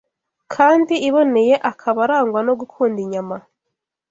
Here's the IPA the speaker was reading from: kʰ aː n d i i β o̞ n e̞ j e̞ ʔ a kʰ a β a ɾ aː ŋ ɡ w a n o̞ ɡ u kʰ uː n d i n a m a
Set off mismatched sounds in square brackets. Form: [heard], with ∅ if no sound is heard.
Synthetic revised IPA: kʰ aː n d i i β o̞ n e̞ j e̞ ʔ a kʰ a β a ɾ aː ŋ ɡ w a n o̞ ɡ u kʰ uː n d i [ɲ] a m a